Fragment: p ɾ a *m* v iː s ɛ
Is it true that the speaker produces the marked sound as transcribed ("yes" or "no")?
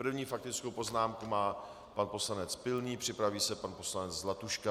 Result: no